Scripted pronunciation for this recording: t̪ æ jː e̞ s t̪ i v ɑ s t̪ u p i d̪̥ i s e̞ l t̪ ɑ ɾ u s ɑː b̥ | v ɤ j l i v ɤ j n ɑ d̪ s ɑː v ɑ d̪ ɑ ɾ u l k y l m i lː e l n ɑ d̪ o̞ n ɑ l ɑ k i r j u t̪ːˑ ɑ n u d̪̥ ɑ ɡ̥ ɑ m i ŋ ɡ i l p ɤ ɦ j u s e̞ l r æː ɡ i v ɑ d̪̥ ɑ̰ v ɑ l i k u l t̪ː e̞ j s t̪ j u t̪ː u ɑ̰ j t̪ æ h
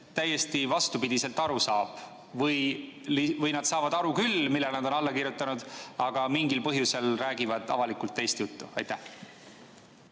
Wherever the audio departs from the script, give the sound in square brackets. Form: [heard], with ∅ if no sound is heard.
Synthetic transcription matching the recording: t̪ æ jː e̞ s t̪ i v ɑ s t̪ u p i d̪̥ i s e̞ l t̪ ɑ ɾ u s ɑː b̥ | v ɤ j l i v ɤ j n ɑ d̪ s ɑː v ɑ d̪ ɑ ɾ u [∅] k y l m i lː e l n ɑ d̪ o̞ n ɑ [lː] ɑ k i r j u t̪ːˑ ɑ n u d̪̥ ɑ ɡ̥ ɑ m i ŋ ɡ i l p ɤ ɦ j u s e̞ l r æː ɡ i v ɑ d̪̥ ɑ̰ v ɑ l i k u l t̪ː e̞ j s t̪ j u t̪ː u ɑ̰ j t̪ æ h